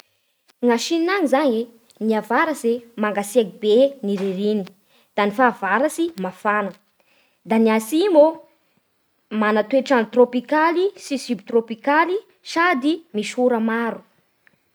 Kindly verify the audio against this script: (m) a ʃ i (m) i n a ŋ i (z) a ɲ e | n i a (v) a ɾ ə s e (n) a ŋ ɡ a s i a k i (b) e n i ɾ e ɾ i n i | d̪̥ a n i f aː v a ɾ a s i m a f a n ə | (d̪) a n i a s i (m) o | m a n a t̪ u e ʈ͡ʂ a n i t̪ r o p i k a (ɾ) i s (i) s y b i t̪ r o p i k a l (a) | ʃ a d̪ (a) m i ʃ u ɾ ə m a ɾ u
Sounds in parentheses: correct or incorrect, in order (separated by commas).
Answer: incorrect, incorrect, correct, correct, incorrect, correct, correct, correct, incorrect, correct, incorrect, incorrect